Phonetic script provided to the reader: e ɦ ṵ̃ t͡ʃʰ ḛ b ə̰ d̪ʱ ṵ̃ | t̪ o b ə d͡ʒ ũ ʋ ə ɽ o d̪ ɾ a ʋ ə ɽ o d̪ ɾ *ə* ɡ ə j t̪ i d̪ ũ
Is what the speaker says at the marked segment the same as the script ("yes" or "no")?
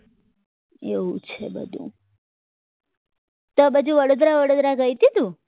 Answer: no